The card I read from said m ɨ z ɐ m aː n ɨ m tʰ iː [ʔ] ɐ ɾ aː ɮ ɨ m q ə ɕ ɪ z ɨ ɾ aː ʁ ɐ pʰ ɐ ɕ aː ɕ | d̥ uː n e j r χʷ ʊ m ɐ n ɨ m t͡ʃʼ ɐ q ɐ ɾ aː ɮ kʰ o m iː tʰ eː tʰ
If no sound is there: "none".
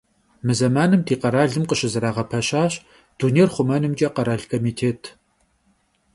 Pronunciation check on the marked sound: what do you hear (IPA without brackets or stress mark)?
q